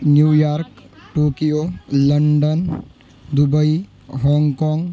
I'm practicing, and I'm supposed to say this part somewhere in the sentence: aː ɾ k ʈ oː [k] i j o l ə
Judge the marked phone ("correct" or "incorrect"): correct